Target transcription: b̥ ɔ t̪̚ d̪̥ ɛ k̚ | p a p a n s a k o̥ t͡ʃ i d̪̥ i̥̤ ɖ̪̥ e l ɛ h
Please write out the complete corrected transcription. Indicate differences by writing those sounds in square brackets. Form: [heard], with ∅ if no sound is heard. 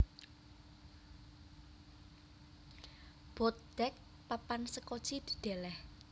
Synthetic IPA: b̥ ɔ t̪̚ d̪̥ ɛ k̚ | p a p a n s [ə] k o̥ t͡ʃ i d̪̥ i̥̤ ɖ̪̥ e l ɛ h